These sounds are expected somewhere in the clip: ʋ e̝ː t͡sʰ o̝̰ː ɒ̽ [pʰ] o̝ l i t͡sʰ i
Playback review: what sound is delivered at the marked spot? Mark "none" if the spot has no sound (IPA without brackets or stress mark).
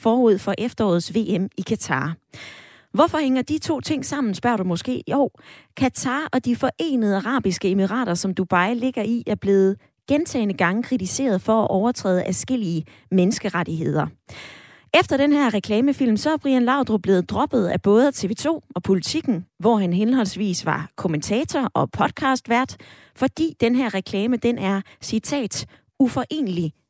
pʰ